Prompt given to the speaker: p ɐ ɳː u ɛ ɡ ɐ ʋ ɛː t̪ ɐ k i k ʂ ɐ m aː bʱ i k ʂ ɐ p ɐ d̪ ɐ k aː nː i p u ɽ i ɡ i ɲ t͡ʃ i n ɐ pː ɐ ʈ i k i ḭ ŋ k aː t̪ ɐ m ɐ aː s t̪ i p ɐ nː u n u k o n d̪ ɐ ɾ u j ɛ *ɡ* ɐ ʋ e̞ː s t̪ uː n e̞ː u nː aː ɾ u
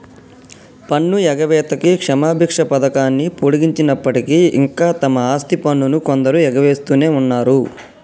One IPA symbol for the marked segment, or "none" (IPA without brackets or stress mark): ɡ